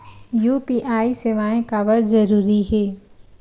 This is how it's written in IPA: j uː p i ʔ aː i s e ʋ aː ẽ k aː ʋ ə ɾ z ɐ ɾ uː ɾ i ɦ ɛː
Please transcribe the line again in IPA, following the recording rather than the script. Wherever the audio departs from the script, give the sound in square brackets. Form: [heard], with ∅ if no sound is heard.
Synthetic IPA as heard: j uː p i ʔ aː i s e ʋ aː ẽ k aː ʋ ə ɾ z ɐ ɾ uː ɾ i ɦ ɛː